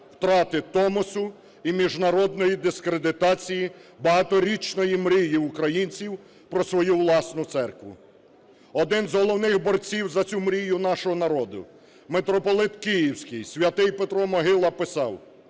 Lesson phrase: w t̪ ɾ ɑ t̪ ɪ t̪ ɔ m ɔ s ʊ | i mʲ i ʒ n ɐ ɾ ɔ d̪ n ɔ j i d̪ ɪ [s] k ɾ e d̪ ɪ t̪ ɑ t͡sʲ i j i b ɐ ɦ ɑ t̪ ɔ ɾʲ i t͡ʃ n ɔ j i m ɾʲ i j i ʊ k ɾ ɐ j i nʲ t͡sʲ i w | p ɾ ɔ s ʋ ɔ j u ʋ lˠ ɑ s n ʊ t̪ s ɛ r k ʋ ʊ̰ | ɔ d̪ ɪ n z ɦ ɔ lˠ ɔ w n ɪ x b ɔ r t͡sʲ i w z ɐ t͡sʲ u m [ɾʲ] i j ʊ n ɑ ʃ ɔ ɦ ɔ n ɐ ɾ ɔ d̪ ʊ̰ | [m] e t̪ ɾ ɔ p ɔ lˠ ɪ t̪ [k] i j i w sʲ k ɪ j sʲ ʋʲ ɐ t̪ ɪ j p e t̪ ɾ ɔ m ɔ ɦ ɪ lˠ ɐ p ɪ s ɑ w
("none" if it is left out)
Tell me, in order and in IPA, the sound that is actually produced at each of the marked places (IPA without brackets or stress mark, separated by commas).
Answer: s, ɾʲ, m, k